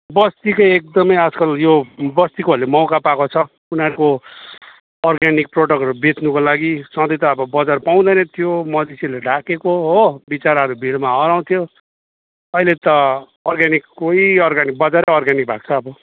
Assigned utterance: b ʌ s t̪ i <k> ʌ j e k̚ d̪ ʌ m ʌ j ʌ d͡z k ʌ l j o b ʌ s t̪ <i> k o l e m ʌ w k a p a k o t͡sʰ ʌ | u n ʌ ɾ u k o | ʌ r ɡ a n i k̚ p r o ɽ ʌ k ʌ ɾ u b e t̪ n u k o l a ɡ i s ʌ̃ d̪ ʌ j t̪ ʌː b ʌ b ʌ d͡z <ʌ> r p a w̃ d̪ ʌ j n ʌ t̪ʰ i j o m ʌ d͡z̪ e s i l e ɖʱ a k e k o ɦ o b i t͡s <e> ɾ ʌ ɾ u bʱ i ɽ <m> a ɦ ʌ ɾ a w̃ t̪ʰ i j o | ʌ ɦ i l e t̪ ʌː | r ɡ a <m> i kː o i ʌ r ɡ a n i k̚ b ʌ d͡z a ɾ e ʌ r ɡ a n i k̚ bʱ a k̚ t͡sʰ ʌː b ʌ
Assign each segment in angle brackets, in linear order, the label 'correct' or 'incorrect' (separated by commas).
correct, correct, incorrect, incorrect, correct, incorrect